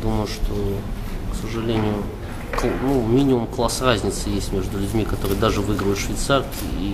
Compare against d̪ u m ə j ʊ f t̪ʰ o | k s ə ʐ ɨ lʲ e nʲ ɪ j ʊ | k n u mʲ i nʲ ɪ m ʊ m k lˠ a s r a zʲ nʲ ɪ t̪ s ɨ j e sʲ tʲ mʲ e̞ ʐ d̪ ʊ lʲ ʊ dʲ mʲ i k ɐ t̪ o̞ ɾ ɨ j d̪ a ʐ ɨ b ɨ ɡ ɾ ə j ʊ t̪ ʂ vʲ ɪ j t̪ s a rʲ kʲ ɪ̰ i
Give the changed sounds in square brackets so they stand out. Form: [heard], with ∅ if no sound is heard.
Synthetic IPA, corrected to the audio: d̪ u m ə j ʊ [ʂ] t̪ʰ o | k s ə ʐ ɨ lʲ e nʲ ɪ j ʊ | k n u mʲ i nʲ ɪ m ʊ m k lˠ a s r a zʲ nʲ ɪ t̪ s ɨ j e sʲ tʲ mʲ e̞ ʐ d̪ ʊ lʲ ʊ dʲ mʲ i k ɐ t̪ o̞ ɾ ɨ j d̪ a ʐ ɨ [v] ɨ ɡ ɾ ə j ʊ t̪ ʂ vʲ ɪ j t̪ s a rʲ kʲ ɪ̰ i